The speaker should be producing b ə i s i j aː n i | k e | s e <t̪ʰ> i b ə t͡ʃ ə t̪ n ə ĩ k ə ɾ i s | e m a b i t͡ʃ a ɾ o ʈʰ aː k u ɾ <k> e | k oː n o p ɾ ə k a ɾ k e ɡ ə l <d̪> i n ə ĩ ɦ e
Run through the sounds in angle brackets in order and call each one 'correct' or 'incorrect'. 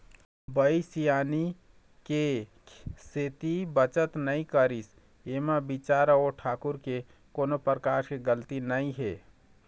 incorrect: t̪, correct, incorrect: t̪

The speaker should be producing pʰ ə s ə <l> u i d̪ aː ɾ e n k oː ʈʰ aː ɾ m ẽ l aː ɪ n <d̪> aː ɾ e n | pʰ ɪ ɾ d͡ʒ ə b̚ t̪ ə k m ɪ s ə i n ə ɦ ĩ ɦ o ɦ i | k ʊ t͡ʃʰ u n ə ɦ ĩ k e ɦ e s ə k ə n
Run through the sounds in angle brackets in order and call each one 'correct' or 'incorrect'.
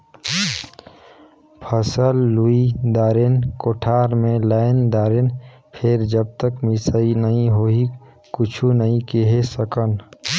incorrect: lː, correct

